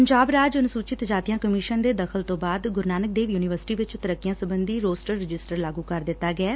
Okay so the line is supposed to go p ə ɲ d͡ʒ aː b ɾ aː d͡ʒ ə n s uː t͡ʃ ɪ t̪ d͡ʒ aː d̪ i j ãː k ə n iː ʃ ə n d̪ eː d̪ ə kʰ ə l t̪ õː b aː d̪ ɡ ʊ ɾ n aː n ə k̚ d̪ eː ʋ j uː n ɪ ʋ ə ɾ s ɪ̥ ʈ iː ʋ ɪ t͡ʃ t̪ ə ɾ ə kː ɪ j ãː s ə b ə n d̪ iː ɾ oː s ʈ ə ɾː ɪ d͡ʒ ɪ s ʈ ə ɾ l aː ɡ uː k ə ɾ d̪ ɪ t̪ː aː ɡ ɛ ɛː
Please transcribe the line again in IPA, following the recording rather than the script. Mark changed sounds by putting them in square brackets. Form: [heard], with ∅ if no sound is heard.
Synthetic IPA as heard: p ə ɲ d͡ʒ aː b ɾ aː d͡ʒ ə n s uː t͡ʃ ɪ t̪ d͡ʒ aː [t̪] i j ãː k ə [m] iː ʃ ə n d̪ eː d̪ ə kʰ ə l t̪ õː b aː d̪ ɡ ʊ ɾ n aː n ə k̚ d̪ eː ʋ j uː n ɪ ʋ ə ɾ s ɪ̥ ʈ iː ʋ ɪ t͡ʃ t̪ ə ɾ ə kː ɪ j ãː s ə b ə n d̪ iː ɾ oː s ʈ ə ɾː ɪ d͡ʒ ɪ s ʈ ə ɾ l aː ɡ uː k ə ɾ d̪ ɪ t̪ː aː ɡ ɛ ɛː